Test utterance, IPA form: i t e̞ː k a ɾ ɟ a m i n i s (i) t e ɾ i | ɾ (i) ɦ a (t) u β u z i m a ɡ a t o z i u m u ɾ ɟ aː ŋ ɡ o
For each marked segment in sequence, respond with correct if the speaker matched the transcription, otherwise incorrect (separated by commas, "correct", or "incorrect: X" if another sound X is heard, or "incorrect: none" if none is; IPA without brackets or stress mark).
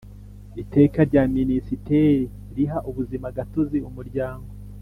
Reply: correct, correct, incorrect: ʔ